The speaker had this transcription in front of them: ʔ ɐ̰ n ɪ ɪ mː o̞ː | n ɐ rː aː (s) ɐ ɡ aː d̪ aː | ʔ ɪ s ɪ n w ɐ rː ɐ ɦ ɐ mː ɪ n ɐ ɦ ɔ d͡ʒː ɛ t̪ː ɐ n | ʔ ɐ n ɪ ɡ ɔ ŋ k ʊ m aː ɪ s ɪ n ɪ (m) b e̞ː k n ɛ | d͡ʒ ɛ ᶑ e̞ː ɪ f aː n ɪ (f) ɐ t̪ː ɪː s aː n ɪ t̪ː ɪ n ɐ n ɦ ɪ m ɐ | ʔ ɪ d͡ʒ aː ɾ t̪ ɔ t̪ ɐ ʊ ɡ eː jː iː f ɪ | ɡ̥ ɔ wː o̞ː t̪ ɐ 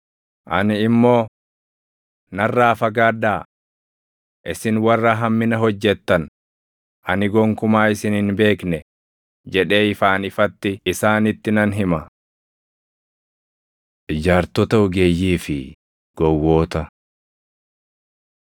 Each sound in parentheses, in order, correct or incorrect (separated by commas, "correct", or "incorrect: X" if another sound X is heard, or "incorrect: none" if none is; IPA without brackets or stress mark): incorrect: f, incorrect: n, correct